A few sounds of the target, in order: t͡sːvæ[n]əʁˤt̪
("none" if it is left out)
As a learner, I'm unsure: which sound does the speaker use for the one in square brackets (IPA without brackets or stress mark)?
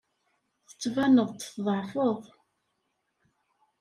n